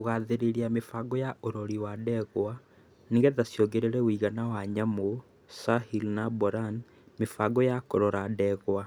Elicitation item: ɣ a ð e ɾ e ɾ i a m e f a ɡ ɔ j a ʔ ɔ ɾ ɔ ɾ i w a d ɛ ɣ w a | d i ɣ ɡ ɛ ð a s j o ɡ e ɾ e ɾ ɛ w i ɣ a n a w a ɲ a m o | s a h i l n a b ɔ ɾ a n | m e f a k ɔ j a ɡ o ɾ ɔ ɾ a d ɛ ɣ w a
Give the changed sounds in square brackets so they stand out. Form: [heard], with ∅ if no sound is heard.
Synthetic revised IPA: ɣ a ð e ɾ e ɾ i a m e f a ɡ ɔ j a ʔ [o] ɾ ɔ ɾ i w a d ɛ ɣ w a | [n] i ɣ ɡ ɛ ð a s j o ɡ e ɾ e ɾ ɛ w i ɣ a n a w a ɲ a m o | s a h i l n a b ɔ ɾ a n | m e f a [ɡ] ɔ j a [k] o ɾ ɔ ɾ a d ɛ ɣ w a